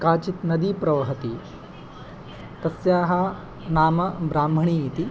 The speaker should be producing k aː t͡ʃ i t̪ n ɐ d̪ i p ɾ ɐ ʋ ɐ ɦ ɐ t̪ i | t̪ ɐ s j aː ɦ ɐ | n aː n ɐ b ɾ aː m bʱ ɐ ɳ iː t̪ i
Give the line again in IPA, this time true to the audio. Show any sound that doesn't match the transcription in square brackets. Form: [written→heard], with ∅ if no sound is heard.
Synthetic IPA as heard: k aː t͡ʃ i t̪ n ɐ d̪ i p ɾ ɐ ʋ ɐ ɦ ɐ t̪ i | t̪ ɐ s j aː ɦ ɐ | n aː [n→m] ɐ b ɾ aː m bʱ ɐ ɳ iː t̪ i